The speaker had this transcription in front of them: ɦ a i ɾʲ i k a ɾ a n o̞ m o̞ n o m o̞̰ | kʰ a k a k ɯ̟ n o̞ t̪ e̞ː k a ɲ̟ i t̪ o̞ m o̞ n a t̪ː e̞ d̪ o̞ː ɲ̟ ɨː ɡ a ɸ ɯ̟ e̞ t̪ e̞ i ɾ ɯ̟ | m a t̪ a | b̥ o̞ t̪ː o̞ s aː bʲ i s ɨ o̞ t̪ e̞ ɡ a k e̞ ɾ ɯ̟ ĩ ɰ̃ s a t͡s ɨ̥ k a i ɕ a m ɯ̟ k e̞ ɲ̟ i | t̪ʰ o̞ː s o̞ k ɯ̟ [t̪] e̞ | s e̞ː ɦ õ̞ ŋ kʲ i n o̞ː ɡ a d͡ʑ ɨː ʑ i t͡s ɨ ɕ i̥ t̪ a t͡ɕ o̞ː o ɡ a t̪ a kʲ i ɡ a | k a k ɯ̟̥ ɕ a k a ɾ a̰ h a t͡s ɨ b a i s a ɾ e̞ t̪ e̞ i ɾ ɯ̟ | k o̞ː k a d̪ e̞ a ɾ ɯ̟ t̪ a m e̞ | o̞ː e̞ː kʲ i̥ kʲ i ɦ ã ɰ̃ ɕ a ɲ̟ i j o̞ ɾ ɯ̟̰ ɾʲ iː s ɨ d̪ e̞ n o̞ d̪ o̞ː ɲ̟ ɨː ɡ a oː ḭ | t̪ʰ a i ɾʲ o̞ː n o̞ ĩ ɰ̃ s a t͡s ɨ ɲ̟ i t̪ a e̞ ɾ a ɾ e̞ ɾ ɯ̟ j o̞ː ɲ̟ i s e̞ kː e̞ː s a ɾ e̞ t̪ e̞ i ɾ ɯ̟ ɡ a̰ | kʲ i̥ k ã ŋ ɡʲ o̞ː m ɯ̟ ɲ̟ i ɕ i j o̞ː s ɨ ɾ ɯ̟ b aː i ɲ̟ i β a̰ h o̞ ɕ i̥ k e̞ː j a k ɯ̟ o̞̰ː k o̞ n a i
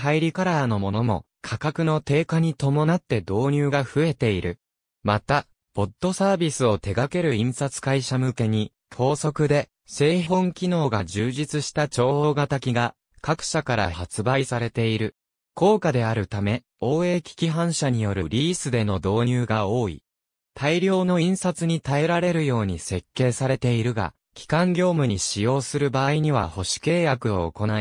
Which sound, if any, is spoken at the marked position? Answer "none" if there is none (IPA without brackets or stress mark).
d̪